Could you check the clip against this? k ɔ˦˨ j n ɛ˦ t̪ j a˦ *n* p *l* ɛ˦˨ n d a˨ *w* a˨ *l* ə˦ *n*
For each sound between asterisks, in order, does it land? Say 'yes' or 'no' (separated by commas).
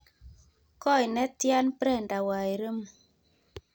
yes, no, yes, no, no